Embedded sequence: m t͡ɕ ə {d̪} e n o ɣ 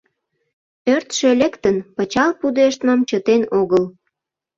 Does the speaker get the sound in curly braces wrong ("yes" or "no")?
yes